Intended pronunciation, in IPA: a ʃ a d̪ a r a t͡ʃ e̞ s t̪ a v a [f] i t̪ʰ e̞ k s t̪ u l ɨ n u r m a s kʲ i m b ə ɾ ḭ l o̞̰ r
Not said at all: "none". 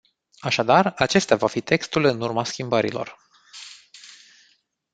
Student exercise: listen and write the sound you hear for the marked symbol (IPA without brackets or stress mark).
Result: f